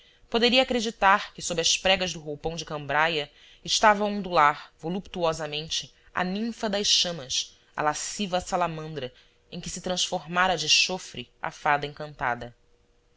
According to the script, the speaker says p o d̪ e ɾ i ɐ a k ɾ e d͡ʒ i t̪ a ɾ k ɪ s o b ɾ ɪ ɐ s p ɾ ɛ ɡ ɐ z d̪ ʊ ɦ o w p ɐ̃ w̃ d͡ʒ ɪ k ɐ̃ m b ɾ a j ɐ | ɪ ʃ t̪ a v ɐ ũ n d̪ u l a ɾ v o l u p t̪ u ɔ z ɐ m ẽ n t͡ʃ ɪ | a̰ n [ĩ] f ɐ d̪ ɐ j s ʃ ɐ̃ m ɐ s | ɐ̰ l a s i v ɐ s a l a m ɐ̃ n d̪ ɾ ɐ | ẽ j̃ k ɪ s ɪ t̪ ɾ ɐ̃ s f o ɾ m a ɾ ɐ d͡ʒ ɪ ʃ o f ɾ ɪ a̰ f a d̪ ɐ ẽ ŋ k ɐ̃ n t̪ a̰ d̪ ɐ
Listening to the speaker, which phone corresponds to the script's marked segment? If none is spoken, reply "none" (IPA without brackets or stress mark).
ĩ